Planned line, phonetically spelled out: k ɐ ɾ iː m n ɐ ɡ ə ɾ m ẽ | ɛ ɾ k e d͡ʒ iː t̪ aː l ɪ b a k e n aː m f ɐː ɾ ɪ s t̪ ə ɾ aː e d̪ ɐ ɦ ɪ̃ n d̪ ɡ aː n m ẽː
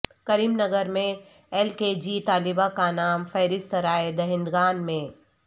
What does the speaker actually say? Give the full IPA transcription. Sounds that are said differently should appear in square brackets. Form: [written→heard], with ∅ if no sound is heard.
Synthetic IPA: k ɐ ɾ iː m n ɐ ɡ ə ɾ m ẽ | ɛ [ɾ→l] k e d͡ʒ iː t̪ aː l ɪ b a k [e→a] n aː m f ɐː ɾ ɪ s t̪ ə ɾ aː e d̪ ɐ ɦ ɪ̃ n d̪ ɡ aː n m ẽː

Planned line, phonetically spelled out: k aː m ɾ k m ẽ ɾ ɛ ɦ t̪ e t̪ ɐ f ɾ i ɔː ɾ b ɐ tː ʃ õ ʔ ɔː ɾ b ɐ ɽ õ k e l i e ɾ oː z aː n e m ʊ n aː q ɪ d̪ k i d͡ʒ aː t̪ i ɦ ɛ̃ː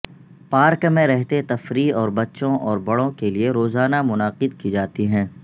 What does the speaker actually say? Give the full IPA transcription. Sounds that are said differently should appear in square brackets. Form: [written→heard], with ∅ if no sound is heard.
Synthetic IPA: [k→p] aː [m→∅] ɾ k m ẽ ɾ ɛ ɦ t̪ e t̪ ɐ f ɾ i ɔː ɾ b ɐ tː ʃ õ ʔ ɔː ɾ b ɐ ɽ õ k e l i e ɾ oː z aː n [e→a] m ʊ n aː q ɪ d̪ k i d͡ʒ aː t̪ i ɦ ɛ̃ː

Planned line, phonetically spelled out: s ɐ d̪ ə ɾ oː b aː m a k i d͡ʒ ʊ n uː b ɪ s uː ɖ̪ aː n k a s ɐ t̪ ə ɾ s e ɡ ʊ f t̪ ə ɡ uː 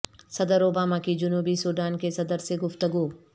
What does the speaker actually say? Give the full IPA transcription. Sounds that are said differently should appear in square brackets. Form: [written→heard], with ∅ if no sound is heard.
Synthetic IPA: s ɐ d̪ ə ɾ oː b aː m a k i d͡ʒ ʊ n uː b [ɪ→i] s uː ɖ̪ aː n k [a→e] s ɐ [t̪→d̪] ə ɾ s e ɡ ʊ f t̪ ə ɡ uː

